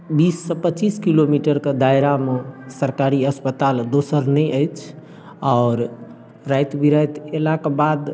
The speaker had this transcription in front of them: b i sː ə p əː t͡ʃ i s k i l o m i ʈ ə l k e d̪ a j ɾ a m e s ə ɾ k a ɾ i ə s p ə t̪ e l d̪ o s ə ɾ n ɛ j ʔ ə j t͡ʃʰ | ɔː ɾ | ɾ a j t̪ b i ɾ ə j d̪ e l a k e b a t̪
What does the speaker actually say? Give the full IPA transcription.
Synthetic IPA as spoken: b i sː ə p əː t͡ʃ i s k i l o m i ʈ ə ɾ k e d̪ a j ɾ a m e s ə ɾ k a ɾ i ə s p ə t̪ a l d̪ o s ə ɾ n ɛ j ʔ ə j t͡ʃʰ | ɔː ɾ | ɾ a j t̪ b i ɾ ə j t̪ e l a k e b a d̪